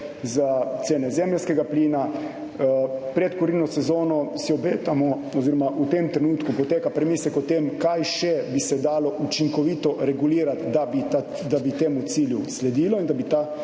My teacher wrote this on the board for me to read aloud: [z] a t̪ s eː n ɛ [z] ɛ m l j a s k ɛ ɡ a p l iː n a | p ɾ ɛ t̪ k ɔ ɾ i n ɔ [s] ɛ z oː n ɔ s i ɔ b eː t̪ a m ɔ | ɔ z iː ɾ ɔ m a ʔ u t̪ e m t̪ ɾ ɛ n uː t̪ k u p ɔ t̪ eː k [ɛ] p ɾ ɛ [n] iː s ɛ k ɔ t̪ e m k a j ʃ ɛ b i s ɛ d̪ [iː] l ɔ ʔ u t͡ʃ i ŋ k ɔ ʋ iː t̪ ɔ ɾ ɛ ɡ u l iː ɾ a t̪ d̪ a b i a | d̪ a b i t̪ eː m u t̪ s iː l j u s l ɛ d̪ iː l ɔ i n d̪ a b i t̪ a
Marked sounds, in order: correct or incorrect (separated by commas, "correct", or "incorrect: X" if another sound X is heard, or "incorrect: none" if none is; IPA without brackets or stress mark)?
correct, correct, correct, incorrect: a, incorrect: m, incorrect: aː